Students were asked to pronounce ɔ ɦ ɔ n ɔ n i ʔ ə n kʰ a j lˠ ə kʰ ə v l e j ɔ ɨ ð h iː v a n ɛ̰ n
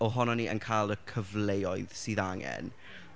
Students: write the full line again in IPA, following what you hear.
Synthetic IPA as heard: ɔ ɦ ɔ n ɔ n i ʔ ə n kʰ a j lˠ ə kʰ ə v l e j ɔ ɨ ð s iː ð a ŋ ɛ̰ n